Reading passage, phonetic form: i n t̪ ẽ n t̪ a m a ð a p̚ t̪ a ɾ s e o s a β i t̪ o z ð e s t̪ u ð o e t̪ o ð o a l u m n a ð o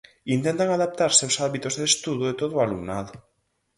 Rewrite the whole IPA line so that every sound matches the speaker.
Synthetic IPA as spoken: i n t̪ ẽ n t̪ a ŋ a ð a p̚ t̪ a ɾ s e o s a β i t̪ o z ð e s t̪ u ð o e t̪ o ð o a l u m n a ð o